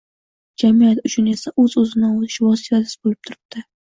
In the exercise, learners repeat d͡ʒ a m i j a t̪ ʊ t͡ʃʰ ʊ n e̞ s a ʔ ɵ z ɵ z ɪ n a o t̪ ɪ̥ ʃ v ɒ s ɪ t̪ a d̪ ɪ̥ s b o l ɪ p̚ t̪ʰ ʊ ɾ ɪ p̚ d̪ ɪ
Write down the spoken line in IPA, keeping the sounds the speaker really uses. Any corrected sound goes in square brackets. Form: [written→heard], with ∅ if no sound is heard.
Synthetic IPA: d͡ʒ a m i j a t̪ ʊ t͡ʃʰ ʊ n e̞ s a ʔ ɵ z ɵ z ɪ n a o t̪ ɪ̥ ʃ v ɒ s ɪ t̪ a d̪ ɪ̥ s b o l ɪ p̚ t̪ʰ ʊ ɾ ɪ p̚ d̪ ɪ